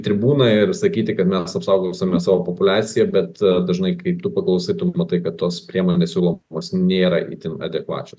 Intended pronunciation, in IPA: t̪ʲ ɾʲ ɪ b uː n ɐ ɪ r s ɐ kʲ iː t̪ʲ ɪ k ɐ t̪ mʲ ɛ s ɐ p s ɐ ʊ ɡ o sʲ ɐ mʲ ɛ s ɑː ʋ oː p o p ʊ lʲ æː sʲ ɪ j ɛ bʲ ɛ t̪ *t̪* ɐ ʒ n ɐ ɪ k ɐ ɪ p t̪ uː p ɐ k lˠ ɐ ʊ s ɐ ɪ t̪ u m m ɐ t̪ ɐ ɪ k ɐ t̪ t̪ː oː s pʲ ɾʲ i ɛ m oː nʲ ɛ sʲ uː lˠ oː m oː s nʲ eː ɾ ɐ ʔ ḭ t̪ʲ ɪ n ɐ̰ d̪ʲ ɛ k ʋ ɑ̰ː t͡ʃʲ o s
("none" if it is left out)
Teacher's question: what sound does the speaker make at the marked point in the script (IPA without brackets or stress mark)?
d̪